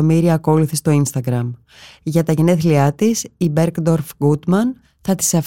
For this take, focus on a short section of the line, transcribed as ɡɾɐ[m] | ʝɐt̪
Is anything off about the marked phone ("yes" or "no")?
no